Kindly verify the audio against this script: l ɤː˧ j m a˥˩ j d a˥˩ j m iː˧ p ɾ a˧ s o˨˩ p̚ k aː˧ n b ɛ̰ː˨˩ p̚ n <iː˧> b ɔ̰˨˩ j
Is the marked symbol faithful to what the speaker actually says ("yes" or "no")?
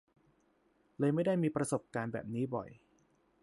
no